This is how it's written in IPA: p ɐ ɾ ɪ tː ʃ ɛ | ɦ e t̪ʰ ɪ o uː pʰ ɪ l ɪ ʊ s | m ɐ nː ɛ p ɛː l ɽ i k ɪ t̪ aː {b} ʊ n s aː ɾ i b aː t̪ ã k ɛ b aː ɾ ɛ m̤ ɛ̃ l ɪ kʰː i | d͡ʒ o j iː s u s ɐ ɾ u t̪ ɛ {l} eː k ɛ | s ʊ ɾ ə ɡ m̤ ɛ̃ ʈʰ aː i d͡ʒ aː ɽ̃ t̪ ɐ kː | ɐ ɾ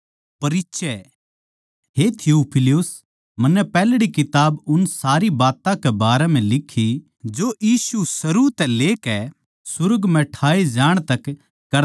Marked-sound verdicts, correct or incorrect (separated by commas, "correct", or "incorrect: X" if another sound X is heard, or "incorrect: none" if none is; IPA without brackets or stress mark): correct, correct